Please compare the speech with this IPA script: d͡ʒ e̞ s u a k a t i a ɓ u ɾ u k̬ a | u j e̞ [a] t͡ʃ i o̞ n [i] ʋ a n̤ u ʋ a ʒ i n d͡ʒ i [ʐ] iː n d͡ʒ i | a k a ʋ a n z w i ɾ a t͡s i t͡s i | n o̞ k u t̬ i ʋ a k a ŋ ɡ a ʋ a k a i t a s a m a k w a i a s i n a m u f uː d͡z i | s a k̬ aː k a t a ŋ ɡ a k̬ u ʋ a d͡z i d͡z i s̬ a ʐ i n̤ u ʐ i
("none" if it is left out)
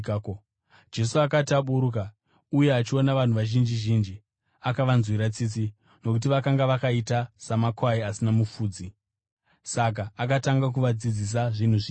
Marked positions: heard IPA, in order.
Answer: a, a, ʒ

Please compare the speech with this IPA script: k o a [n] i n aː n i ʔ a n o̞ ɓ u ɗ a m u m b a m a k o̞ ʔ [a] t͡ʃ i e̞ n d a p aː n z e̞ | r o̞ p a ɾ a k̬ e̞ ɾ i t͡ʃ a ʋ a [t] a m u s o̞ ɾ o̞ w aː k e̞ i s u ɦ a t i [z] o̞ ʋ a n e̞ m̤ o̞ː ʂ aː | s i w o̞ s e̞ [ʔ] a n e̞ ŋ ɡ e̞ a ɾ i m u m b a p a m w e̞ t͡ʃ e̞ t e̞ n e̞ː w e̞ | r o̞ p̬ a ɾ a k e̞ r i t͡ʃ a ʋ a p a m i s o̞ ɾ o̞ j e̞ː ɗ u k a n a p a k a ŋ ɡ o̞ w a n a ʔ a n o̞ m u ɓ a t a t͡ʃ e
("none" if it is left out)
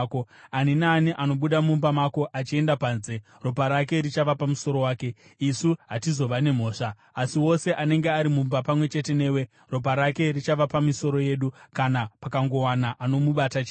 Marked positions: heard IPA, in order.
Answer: n, a, p, z, ʔ

